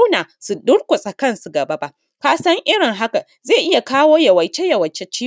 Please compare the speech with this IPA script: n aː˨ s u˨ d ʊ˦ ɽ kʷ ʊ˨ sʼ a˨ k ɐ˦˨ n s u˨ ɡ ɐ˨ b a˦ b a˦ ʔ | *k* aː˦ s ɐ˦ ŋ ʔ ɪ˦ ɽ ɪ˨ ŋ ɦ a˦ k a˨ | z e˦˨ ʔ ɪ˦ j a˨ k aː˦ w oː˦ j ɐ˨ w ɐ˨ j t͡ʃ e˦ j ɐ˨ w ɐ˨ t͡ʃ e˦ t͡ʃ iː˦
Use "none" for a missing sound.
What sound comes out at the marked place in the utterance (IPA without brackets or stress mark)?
k